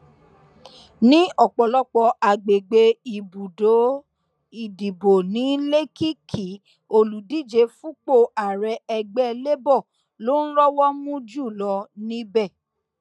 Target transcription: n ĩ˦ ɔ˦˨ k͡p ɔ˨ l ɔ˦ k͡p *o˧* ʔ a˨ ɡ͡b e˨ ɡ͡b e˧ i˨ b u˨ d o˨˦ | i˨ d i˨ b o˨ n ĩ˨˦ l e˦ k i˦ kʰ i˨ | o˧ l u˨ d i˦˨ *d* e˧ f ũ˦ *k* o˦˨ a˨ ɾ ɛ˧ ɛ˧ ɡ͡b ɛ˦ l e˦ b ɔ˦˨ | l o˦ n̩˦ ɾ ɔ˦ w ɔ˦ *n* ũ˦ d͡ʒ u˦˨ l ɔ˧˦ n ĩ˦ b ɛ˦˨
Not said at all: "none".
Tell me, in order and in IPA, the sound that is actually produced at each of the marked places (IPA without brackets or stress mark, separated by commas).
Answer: ɔ˧, d͡ʒ, k͡p, m